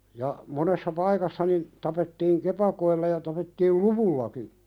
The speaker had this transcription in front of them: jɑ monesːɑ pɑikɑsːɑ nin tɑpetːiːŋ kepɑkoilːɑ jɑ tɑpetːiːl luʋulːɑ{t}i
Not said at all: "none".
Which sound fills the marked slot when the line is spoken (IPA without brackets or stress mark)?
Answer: k